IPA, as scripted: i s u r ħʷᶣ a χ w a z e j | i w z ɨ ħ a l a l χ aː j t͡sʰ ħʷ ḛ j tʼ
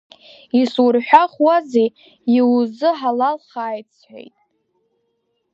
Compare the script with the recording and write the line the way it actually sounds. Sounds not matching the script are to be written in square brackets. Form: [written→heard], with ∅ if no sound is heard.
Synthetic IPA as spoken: i s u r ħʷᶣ a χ w a z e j | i w z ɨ ħ a l a l χ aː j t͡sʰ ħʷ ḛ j tʼ